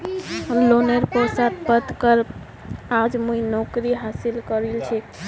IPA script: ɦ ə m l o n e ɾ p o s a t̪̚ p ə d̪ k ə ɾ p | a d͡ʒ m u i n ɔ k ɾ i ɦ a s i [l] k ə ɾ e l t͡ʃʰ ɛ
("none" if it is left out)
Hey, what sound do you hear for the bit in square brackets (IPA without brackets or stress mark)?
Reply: l